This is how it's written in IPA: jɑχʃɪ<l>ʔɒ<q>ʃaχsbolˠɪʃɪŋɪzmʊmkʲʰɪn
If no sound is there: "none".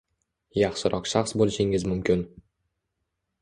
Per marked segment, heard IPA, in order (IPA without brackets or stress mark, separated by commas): ɾ, q